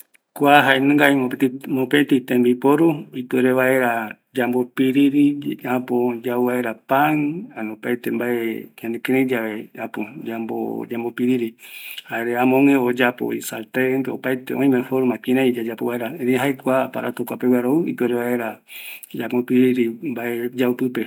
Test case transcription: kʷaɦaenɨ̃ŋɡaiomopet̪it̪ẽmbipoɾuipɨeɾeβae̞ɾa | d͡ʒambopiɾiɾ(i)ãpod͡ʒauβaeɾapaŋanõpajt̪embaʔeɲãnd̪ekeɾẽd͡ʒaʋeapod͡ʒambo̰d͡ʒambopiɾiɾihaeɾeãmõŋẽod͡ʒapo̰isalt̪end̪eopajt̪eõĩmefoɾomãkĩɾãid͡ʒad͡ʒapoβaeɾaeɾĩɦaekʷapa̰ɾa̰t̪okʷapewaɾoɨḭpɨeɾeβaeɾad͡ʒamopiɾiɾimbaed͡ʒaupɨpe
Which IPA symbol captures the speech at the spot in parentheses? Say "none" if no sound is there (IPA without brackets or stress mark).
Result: i